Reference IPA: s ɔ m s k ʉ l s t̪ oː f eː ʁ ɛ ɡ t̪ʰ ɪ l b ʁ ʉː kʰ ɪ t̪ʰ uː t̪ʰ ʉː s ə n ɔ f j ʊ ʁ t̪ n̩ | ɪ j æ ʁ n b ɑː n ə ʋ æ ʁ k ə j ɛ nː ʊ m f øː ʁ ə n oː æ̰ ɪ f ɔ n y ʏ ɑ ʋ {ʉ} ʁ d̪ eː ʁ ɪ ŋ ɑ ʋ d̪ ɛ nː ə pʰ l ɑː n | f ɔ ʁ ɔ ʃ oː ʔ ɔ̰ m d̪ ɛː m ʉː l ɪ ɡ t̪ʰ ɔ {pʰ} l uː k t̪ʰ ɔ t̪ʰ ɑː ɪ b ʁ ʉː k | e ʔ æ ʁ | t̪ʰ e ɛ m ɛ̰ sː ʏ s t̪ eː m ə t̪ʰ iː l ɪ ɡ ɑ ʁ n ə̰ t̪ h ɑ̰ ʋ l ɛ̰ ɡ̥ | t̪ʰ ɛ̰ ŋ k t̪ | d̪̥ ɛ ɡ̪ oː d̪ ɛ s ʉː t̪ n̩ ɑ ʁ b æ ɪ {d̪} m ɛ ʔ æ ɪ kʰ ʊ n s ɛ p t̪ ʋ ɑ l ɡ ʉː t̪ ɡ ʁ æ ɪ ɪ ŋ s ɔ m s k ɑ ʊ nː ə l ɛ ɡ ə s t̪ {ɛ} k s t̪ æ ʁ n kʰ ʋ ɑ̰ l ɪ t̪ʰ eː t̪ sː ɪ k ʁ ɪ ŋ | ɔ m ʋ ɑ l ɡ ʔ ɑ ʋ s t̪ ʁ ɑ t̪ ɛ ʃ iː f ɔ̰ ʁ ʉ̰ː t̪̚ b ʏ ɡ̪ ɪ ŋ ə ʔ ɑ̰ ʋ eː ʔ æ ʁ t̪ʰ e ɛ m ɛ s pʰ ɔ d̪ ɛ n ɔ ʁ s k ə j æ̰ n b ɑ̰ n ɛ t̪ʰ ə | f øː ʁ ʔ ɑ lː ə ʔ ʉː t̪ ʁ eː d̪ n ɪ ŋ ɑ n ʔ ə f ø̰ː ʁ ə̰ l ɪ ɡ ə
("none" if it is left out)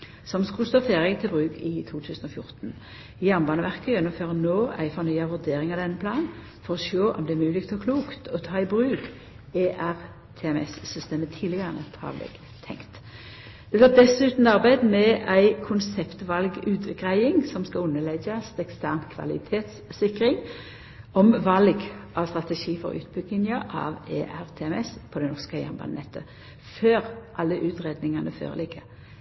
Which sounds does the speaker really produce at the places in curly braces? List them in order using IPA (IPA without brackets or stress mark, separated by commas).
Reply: ʉ, kʰ, d̪, ɛ